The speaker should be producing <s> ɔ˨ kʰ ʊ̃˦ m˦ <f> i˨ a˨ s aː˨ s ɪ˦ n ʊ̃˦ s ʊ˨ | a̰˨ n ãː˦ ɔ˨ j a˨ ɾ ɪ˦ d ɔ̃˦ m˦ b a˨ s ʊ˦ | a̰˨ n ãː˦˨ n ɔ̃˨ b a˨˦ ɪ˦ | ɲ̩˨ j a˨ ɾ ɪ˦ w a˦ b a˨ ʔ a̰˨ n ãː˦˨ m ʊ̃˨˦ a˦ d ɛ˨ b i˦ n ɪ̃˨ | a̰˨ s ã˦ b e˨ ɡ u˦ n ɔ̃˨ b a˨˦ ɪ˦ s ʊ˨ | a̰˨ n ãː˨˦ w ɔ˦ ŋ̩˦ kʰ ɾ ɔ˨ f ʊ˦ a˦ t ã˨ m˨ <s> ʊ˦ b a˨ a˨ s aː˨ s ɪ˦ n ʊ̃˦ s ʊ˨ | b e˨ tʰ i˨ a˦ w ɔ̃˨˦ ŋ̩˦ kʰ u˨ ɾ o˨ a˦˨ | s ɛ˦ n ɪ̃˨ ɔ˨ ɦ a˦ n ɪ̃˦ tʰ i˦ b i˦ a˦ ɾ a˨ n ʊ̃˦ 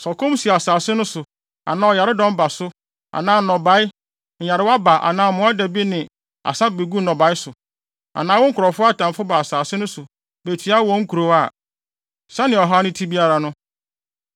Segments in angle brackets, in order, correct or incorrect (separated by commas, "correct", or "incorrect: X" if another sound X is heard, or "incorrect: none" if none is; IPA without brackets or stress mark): correct, incorrect: s, incorrect: f